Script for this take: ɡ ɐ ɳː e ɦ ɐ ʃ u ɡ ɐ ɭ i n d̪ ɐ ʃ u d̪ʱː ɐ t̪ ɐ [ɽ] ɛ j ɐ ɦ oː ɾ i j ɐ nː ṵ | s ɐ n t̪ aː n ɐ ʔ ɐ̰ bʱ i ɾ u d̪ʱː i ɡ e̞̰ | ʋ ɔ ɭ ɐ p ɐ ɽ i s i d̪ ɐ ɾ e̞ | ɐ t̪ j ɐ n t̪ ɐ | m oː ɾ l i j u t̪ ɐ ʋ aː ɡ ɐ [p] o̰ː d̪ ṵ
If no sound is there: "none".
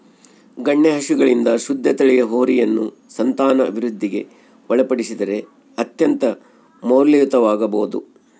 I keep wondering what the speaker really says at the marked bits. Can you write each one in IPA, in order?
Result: ɭ, b

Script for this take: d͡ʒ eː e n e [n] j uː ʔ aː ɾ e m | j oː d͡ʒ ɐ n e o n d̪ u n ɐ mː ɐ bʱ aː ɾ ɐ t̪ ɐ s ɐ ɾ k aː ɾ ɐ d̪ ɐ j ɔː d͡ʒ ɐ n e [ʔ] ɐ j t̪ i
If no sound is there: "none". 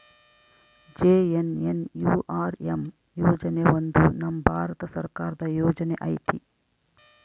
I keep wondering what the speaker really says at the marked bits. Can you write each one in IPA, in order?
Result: n, ʔ

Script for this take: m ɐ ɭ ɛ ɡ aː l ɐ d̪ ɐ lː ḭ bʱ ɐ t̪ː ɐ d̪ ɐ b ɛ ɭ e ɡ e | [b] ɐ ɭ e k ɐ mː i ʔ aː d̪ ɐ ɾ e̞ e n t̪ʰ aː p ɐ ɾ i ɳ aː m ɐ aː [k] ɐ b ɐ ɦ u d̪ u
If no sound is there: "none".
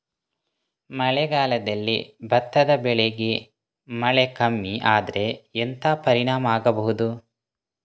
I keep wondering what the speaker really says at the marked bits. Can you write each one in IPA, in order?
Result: m, ɡ

